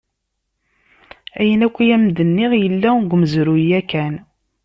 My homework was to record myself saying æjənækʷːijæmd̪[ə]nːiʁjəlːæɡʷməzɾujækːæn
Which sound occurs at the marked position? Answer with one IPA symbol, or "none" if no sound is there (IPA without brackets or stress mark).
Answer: ə